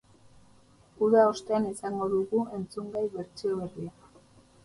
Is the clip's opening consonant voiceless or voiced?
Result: voiced